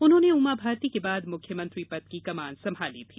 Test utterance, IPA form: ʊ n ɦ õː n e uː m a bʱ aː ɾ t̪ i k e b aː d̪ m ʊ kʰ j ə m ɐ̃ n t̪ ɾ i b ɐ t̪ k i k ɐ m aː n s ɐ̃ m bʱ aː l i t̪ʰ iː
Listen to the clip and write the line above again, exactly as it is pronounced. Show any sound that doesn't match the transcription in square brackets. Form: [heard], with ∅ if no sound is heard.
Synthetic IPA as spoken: ʊ n ɦ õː n e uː m a bʱ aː ɾ t̪ i k e b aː d̪ m ʊ kʰ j ə m ɐ̃ n t̪ ɾ i [p] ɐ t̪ k i k ɐ m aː n s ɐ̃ m bʱ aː l i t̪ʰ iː